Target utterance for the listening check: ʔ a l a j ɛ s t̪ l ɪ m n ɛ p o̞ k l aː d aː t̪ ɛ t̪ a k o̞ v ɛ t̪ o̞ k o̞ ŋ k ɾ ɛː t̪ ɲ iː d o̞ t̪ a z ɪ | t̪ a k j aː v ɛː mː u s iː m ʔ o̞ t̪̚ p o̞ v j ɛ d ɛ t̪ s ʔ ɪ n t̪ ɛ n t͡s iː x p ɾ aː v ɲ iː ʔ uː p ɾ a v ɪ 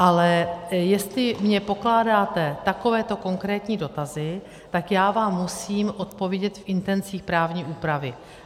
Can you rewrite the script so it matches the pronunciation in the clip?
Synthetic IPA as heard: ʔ a l ɛ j ɛ s t̪ l ɪ m ɲ ɛ p o̞ k l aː d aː t̪ ɛ t̪ a k o̞ v ɛː t̪ o̞ k o̞ ŋ k ɾ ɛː t̪ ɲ iː d o̞ t̪ a z ɪ | t̪ a k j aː v aː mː u s iː m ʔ o̞ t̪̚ p o̞ v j ɛ ɟ ɛ t̪ f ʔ ɪ n t̪ ɛ n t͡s iː x p ɾ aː v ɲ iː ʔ uː p ɾ a v ɪ